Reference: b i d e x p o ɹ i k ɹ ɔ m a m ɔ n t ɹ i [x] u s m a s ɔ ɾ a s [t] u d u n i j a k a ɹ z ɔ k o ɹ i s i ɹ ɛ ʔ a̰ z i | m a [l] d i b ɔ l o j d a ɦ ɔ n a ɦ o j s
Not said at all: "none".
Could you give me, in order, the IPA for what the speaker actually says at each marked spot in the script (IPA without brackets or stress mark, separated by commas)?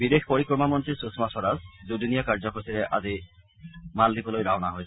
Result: s, d, l